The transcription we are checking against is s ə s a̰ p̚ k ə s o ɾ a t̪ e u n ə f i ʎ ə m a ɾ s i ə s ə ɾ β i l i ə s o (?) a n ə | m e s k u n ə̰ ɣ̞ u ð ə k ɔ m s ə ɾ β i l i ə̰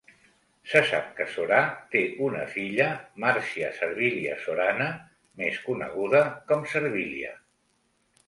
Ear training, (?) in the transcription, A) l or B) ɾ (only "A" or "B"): B